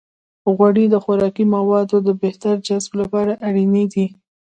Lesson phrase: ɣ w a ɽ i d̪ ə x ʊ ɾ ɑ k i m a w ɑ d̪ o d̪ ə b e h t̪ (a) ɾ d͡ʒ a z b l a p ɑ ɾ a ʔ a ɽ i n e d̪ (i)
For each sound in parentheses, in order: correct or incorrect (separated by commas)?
correct, correct